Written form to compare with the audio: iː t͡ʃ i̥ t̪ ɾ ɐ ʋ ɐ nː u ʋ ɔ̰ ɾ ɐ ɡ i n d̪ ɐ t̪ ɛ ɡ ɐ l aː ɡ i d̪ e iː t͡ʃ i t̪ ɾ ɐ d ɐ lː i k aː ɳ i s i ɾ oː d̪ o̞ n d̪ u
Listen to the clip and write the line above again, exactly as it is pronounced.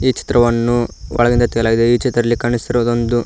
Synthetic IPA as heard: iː t͡ʃ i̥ t̪ ɾ ɐ ʋ ɐ nː u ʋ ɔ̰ ɭ ɐ ɡ i n d̪ ɐ t̪ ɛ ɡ ɐ l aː ɡ i d̪ e iː t͡ʃ i t̪ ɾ ɐ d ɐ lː i k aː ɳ i s i ɾ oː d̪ o̞ n d̪ u